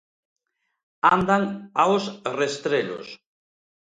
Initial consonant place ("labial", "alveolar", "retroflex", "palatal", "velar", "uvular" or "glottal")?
alveolar